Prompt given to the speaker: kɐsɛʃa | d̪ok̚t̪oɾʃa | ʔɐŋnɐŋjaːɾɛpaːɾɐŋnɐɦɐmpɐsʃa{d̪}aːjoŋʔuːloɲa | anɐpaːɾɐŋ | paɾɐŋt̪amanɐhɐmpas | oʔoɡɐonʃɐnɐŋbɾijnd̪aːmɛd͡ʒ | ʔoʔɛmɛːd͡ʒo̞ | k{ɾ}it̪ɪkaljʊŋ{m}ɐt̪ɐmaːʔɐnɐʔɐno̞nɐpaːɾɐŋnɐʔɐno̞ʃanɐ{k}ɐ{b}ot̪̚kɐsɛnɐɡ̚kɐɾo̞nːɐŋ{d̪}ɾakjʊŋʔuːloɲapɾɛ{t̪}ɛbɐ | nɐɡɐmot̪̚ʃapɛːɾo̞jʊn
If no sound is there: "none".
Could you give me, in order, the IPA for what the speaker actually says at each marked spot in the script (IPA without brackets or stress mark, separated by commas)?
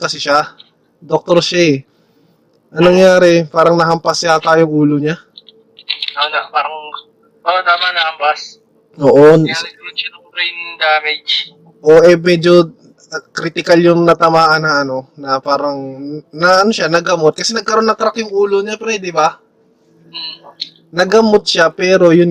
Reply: t̪, ɾ, n, ɡ, m, t̪, d̪